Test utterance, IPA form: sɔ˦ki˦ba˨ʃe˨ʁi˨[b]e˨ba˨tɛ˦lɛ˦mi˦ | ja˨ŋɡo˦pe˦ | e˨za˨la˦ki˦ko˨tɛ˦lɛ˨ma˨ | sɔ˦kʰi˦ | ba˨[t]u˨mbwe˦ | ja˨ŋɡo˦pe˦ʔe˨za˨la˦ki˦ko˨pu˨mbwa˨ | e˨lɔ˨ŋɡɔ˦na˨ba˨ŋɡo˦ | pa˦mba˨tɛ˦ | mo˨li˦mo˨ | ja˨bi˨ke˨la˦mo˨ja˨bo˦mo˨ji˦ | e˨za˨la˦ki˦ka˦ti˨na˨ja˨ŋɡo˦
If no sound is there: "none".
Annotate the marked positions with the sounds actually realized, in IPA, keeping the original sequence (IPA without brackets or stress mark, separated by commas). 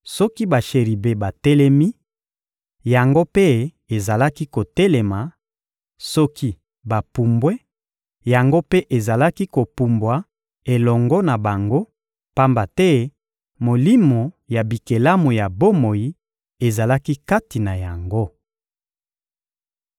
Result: b, p